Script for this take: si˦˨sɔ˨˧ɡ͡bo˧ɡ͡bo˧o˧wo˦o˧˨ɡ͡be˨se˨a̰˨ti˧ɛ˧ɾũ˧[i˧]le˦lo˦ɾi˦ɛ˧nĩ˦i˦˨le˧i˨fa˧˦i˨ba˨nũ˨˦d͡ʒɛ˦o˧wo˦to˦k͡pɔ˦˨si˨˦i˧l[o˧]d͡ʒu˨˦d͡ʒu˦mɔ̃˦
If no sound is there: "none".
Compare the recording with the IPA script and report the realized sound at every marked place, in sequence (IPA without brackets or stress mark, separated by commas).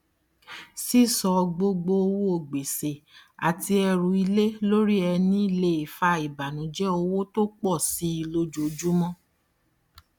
i˧, o˧